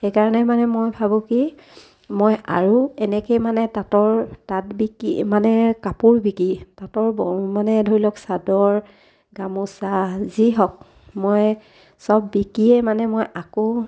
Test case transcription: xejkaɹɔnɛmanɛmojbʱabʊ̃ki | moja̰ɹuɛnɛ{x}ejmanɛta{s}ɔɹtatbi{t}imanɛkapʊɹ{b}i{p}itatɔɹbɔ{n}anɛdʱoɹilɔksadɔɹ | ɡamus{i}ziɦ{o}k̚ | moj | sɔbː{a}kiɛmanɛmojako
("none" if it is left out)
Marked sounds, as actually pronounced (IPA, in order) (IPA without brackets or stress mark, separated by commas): k, t, k, b, k, m, a, ɔ, i